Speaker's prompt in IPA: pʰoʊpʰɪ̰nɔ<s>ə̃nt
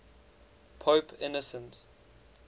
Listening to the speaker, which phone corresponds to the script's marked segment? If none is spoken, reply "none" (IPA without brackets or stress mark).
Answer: s